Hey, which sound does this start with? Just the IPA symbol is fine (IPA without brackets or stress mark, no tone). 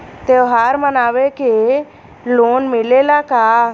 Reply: t̪